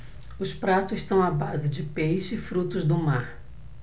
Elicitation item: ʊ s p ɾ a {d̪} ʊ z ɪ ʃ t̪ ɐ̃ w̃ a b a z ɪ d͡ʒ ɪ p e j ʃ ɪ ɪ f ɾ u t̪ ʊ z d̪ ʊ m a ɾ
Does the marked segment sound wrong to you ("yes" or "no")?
yes